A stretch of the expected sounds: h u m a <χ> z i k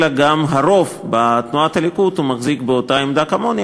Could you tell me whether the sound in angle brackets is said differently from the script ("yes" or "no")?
no